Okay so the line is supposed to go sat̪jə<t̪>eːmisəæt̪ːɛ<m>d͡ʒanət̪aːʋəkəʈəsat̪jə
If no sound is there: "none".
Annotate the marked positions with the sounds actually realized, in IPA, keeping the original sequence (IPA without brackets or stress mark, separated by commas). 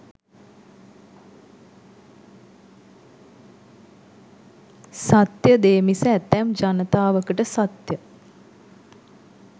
d̪, m